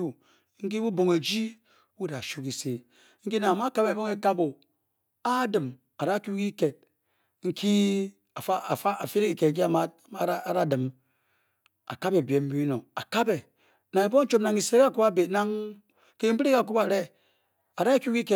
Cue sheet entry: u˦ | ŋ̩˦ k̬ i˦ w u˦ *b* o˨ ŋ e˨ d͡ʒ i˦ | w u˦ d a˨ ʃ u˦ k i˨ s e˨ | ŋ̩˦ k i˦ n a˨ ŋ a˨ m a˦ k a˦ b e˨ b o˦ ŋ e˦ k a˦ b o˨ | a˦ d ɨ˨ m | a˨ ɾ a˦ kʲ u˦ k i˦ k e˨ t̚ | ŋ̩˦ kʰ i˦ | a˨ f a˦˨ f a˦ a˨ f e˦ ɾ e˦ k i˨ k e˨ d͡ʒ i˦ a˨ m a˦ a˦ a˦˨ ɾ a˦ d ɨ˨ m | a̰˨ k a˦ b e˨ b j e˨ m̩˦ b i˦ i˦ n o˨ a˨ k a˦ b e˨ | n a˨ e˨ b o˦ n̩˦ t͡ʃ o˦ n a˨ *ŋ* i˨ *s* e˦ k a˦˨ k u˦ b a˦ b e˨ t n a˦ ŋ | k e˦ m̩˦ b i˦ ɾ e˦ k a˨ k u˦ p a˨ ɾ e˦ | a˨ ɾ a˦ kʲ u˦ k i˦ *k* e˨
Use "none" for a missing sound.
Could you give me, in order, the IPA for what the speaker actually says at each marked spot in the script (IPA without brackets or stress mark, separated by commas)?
b, ŋ, s, k